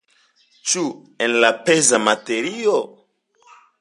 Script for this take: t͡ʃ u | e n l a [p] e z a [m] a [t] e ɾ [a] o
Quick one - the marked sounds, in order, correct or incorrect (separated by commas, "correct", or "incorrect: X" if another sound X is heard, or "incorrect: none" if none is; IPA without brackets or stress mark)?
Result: correct, correct, correct, incorrect: i